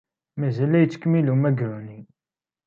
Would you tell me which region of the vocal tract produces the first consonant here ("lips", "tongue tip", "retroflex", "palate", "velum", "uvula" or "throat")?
lips